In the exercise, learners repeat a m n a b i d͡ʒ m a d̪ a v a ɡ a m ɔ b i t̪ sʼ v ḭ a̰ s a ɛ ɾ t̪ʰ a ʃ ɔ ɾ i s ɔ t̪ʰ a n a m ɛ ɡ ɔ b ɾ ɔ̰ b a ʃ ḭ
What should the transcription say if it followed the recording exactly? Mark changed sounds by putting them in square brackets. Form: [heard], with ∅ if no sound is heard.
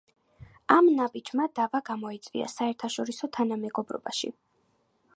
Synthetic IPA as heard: a m n a b i d͡ʒ m a d̪ a v a ɡ a m ɔ [∅] i t̪ sʼ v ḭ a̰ s a ɛ ɾ t̪ʰ a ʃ ɔ ɾ i s ɔ t̪ʰ a n a m ɛ ɡ ɔ b ɾ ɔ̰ b a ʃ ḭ

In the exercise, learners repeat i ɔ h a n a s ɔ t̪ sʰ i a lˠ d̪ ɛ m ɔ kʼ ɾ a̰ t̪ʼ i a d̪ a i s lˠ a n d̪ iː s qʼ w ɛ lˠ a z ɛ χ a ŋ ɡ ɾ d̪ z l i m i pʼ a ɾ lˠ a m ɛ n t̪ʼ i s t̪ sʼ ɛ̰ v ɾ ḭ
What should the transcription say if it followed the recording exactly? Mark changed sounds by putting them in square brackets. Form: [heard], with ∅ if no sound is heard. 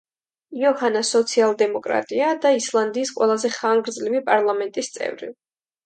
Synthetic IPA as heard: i ɔ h a n a s ɔ t̪ sʰ i a lˠ d̪ ɛ m ɔ kʼ ɾ a̰ t̪ʼ i a d̪ a i s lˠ a n d̪ iː s qʼ w ɛ lˠ a z ɛ χ a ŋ ɡ ɾ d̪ z l i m i pʼ a ɾ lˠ a m ɛ n t̪ʼ i s t̪ sʼ ɛ̰ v ɾ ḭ

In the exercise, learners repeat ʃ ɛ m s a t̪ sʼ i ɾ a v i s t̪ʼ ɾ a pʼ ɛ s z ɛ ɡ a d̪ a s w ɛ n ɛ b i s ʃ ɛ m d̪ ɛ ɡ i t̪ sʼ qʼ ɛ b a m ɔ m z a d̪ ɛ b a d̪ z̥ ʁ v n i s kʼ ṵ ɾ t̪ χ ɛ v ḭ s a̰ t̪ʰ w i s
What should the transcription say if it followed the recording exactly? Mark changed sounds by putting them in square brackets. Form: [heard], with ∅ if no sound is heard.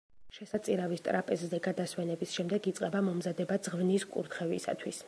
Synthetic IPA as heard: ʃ ɛ [∅] s a t̪ sʼ i ɾ a v i s t̪ʼ ɾ a pʼ ɛ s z ɛ ɡ a d̪ a s w ɛ n ɛ b i s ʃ ɛ m d̪ ɛ ɡ i t̪ sʼ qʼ ɛ b a m ɔ m z a d̪ ɛ b a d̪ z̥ ʁ v n i s kʼ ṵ ɾ t̪ χ ɛ v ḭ s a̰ t̪ʰ w i s

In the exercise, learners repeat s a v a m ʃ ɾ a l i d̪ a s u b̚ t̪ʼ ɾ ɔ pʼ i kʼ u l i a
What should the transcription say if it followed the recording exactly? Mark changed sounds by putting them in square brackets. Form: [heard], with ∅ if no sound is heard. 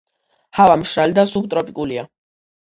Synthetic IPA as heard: [h] a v a m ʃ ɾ a l i d̪ a s u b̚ t̪ʼ ɾ ɔ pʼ i kʼ u l i a

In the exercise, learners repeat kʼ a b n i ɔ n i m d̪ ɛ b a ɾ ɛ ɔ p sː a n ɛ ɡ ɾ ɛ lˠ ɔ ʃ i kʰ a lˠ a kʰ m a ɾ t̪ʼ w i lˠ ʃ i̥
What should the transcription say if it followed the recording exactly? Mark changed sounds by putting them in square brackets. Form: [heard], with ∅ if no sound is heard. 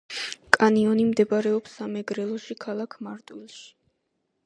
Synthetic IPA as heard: kʼ a [∅] n i ɔ n i m d̪ ɛ b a ɾ ɛ ɔ p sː a [m] ɛ ɡ ɾ ɛ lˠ ɔ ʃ i kʰ a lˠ a kʰ m a ɾ t̪ʼ w i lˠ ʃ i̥

